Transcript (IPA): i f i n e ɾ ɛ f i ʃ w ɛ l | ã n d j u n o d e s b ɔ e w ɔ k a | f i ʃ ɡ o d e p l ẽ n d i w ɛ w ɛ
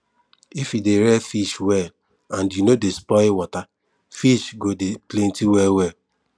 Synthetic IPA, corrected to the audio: i f i d e ɾ ɛ f i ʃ w ɛ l | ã n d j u n o d e s p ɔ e w ɔ t a | f i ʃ ɡ o d e p l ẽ n t i w ɛ w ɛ